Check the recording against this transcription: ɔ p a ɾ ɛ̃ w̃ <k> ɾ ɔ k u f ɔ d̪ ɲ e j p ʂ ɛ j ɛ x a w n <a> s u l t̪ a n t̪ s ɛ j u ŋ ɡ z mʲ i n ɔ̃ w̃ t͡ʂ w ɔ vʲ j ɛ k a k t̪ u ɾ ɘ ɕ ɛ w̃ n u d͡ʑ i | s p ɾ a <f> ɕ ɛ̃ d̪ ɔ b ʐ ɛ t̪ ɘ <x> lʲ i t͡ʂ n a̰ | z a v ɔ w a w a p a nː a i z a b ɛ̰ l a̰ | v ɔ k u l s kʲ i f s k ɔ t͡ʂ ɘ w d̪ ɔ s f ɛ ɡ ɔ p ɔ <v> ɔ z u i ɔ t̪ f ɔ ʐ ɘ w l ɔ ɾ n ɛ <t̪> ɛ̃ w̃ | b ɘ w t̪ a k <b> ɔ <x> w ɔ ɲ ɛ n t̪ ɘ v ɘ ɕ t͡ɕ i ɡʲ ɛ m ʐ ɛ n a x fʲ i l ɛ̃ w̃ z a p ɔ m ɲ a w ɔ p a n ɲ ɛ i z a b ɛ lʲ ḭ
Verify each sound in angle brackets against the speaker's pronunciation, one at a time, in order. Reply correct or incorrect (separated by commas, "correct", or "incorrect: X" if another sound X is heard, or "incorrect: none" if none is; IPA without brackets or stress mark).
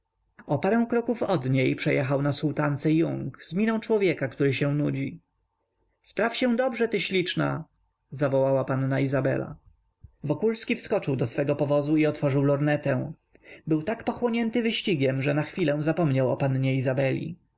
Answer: correct, correct, correct, incorrect: ɕ, correct, correct, incorrect: p, correct